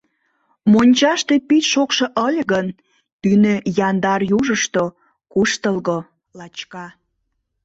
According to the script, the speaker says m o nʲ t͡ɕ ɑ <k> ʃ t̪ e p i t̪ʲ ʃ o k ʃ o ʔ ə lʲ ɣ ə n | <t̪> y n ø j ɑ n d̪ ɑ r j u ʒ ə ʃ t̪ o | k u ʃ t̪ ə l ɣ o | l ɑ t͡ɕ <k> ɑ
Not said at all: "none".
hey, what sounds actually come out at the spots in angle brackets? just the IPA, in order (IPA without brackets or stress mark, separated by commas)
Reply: none, t̪, k